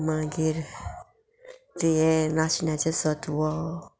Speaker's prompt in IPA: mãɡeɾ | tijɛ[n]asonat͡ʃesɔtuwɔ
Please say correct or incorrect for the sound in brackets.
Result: correct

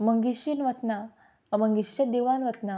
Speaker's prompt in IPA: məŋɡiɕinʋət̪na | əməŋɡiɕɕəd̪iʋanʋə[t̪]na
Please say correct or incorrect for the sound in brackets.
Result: correct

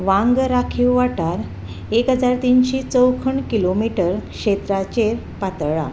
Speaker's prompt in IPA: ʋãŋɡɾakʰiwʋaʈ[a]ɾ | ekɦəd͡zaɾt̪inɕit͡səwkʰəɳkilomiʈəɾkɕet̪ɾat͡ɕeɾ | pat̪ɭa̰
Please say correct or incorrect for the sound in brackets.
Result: correct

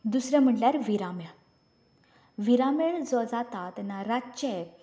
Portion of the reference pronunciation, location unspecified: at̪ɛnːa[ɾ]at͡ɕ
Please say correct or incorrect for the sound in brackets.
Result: correct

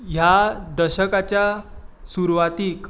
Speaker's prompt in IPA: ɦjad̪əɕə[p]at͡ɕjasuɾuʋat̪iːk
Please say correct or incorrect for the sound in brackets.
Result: incorrect: k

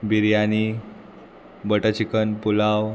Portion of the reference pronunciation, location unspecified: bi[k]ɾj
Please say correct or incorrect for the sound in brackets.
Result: incorrect: none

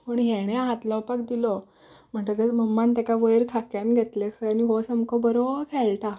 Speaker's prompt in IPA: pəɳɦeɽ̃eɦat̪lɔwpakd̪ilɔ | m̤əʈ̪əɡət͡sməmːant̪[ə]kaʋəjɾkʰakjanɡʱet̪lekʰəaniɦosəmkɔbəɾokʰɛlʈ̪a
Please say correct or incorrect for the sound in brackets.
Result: incorrect: a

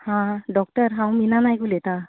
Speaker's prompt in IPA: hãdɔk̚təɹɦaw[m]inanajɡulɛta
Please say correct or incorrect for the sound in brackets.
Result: correct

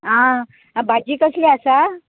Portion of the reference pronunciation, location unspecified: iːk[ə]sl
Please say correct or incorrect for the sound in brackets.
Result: correct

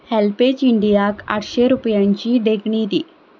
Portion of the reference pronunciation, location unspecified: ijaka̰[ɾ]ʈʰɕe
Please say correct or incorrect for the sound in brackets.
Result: incorrect: none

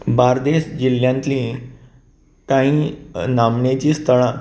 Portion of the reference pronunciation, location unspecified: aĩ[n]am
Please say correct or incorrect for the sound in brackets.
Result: correct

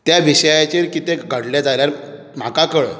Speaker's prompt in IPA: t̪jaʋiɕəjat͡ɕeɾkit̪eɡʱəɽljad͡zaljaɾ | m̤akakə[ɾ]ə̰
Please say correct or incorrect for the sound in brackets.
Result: incorrect: ɭ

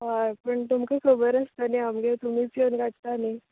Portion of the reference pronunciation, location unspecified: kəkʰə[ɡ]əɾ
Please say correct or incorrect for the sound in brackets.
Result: incorrect: b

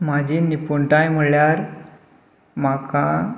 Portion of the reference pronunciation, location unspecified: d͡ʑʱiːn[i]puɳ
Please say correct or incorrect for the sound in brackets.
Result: correct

